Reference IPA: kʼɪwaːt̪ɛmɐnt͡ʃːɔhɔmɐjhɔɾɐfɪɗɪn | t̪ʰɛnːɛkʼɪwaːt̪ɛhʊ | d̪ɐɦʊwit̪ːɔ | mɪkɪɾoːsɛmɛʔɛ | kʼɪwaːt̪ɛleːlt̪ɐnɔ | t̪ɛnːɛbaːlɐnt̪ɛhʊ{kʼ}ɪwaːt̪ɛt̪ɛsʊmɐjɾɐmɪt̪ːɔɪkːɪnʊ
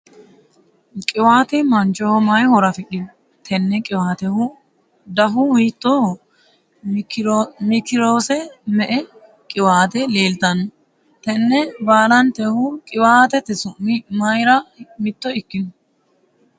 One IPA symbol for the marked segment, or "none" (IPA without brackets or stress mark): kʼ